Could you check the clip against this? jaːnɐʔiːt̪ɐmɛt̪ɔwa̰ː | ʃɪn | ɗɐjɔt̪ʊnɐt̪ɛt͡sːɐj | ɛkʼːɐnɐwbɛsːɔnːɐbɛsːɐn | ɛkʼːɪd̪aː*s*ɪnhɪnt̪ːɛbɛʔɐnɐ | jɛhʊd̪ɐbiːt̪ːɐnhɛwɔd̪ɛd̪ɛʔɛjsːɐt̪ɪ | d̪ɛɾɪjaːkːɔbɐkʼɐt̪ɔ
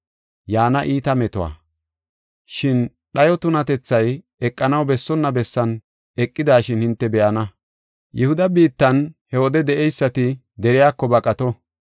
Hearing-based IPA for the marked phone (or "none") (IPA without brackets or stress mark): ʃ